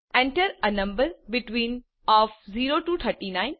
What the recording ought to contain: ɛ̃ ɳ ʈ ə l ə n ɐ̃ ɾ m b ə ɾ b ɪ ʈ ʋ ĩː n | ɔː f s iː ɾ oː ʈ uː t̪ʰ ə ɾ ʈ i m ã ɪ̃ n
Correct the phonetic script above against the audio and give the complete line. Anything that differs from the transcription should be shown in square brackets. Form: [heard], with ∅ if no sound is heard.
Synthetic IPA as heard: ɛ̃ ɳ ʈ ə [ɾ] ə n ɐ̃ [∅] m b ə ɾ b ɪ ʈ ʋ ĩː n | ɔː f [z] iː ɾ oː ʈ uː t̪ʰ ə ɾ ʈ i [n] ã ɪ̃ n